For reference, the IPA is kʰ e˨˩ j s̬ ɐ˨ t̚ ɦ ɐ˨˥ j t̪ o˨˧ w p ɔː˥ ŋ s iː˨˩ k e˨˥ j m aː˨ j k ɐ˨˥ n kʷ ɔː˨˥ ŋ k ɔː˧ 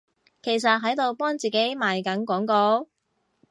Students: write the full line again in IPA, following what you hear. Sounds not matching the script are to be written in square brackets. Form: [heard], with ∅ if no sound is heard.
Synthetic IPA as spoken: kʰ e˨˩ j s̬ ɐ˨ t̚ ɦ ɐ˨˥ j t̪ o˨˧ w p ɔː˥ ŋ [t͡s] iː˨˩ k e˨˥ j m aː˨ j k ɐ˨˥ n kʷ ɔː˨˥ ŋ k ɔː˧